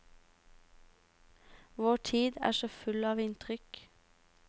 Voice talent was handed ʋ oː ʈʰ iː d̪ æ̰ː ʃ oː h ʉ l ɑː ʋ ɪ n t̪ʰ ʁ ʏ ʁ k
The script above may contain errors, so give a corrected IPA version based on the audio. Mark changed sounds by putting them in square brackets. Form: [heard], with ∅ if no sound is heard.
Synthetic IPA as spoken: ʋ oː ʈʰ iː d̪ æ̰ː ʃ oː [f] ʉ l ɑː ʋ ɪ n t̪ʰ ʁ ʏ [∅] k